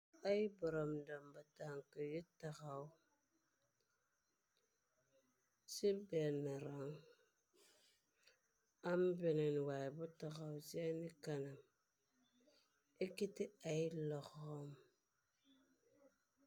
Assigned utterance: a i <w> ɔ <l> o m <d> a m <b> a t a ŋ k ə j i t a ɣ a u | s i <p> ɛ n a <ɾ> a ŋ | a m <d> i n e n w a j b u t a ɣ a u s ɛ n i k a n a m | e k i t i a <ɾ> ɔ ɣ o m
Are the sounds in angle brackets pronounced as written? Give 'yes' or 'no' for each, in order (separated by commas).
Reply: no, no, yes, yes, no, yes, no, no